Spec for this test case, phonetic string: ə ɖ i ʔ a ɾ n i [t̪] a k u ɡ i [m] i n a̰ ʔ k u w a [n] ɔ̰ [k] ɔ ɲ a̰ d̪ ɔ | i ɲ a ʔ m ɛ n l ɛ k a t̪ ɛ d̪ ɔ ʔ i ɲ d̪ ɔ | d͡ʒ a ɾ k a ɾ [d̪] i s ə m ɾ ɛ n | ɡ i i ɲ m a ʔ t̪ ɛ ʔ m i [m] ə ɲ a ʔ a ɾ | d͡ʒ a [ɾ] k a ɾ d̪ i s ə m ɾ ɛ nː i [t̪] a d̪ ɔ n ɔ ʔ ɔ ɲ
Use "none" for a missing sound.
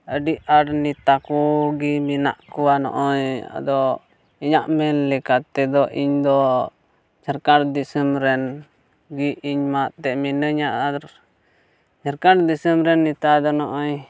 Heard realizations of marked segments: t̪, m, n, ʔ, d̪, n, ɾ, t̪

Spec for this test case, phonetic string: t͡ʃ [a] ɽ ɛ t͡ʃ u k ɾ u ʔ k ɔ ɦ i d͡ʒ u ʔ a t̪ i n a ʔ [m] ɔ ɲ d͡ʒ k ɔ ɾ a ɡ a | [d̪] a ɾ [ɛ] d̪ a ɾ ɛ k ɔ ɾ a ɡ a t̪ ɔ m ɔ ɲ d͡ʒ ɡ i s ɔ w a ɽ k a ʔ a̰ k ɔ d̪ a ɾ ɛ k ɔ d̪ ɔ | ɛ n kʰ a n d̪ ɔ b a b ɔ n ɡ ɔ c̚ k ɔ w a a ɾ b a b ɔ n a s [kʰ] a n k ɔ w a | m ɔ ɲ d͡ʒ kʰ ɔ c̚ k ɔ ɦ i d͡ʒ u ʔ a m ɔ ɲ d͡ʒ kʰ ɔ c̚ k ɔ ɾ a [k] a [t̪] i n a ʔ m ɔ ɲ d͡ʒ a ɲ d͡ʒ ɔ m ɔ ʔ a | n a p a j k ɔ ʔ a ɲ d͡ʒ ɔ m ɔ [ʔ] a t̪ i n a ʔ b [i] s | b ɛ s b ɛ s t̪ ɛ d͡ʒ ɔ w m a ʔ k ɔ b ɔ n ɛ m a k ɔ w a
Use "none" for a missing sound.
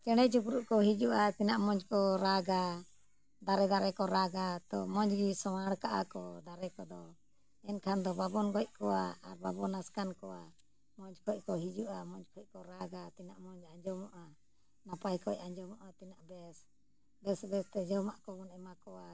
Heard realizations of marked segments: ɛ, m, d̪, ɛ, k, ɡ, t̪, ʔ, ɛ

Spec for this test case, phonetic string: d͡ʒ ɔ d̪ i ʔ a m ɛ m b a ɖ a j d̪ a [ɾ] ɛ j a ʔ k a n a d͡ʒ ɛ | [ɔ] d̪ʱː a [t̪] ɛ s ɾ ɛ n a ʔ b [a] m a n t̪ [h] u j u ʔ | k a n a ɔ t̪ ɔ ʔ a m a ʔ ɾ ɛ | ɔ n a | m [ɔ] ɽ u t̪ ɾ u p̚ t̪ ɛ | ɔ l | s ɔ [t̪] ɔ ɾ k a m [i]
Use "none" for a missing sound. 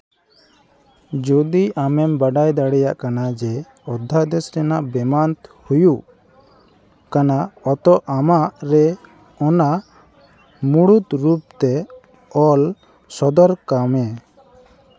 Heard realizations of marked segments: ɽ, ɔ, d̪, ɛ, h, u, d̪, ɛ

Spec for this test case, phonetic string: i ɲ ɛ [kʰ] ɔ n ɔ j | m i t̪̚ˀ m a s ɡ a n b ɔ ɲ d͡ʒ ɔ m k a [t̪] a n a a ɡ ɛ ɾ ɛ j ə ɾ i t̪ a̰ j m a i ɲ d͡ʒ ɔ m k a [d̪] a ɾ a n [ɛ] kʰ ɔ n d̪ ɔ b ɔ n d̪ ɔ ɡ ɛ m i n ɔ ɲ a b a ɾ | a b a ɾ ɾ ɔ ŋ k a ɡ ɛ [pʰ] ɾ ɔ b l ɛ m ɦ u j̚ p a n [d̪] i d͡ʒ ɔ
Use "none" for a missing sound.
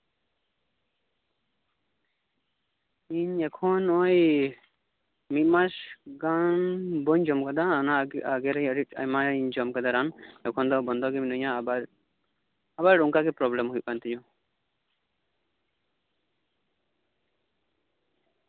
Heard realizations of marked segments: kʰ, d̪, d̪, ɛ, p, t̪

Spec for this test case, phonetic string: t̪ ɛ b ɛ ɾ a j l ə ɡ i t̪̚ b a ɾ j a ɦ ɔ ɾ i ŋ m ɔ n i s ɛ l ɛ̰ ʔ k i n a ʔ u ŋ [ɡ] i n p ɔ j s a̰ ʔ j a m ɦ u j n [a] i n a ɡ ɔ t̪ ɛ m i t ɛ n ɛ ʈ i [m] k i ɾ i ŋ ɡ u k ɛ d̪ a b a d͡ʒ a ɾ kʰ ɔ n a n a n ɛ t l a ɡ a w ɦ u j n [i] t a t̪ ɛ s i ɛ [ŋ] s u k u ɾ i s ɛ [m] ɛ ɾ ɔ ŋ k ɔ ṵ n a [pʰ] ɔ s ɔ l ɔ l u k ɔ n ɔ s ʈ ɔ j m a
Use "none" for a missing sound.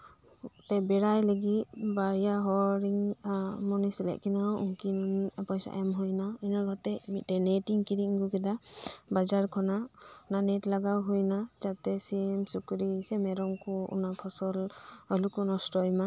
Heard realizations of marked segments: k, a, ŋ, a, m, m, pʰ

